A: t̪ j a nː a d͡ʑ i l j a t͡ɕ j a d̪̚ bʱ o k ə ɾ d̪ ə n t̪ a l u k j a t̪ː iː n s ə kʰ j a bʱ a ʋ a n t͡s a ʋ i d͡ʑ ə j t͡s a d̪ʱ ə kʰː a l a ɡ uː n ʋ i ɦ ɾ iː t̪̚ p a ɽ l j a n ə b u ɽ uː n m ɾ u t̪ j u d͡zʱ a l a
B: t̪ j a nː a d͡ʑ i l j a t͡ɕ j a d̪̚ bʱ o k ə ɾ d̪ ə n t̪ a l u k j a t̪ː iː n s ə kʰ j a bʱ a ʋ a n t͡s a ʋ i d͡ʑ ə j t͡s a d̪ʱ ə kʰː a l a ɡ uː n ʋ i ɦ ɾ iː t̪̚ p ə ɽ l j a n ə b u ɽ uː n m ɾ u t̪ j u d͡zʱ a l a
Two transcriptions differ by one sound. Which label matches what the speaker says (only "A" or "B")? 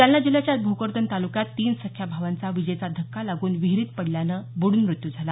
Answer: B